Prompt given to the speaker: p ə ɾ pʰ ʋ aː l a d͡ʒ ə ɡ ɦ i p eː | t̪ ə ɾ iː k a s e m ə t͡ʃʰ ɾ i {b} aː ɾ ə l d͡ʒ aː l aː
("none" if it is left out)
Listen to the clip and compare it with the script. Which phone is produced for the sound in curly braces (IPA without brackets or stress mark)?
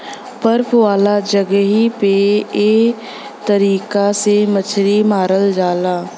m